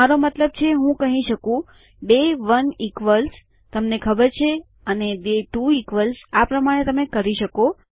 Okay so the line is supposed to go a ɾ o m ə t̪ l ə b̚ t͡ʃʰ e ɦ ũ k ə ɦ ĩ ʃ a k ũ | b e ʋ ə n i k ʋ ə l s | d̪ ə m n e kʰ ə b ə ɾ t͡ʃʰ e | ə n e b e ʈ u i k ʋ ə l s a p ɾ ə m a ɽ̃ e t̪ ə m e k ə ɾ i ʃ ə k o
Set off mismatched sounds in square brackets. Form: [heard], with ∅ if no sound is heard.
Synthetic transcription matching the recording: a ɾ o m ə t̪ l ə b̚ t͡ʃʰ e ɦ ũ k ə ɦ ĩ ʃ [ə] k ũ | b e ʋ ə n i k ʋ ə l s | [t̪] ə m n e kʰ ə b ə ɾ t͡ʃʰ e | ə n e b e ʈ u i k ʋ ə l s a p ɾ ə m a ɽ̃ e t̪ ə m e k ə ɾ i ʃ ə k o